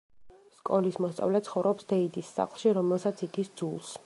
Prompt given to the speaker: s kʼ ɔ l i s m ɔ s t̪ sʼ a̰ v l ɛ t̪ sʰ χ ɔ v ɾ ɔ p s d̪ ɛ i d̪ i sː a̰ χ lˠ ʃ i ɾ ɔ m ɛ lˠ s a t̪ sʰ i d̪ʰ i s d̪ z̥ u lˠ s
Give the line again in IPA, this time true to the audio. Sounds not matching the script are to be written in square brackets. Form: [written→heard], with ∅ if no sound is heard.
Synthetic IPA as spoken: s kʼ ɔ l i s m ɔ s t̪ sʼ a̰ v l ɛ t̪ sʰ χ ɔ v ɾ ɔ p s d̪ ɛ i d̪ i sː a̰ χ lˠ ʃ i ɾ ɔ m ɛ lˠ s a t̪ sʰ i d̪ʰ i s d̪ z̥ u lˠ s